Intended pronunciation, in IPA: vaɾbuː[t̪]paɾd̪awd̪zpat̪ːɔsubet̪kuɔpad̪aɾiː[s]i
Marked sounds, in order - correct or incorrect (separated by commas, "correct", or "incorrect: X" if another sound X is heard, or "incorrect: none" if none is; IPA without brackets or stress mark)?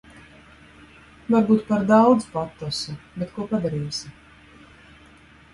correct, correct